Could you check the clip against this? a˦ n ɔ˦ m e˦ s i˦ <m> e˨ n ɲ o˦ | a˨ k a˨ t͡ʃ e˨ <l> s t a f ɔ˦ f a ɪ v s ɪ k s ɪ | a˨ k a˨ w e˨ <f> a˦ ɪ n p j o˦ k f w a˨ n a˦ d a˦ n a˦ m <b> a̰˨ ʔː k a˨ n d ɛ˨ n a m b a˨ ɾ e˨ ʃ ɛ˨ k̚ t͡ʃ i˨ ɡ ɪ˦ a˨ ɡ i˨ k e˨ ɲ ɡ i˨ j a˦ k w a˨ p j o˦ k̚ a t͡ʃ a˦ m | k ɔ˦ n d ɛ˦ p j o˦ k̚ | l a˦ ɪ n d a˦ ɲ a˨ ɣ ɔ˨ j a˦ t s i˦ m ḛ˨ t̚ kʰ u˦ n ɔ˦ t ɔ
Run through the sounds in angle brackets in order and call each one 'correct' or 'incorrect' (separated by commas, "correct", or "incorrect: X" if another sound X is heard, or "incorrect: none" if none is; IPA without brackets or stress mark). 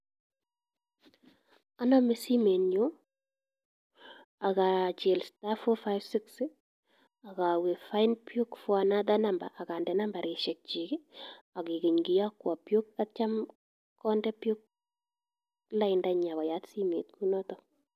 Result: correct, correct, correct, correct